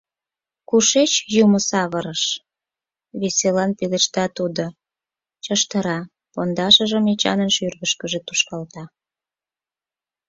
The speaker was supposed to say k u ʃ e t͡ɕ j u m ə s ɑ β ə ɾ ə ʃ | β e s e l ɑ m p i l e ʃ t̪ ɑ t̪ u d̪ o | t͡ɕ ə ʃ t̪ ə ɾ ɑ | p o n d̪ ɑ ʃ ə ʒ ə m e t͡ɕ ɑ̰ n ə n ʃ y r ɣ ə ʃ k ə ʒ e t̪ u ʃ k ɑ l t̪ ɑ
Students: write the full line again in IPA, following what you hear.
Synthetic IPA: k u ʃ e t͡ɕ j u m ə s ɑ β ə ɾ ə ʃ | β e s e l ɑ n p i l e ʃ t̪ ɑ t̪ u d̪ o | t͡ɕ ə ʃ t̪ ə ɾ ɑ | p o n d̪ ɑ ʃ ə ʒ ə m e t͡ɕ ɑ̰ n ə n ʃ y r ɣ ə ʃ k ə ʒ e t̪ u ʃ k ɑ l t̪ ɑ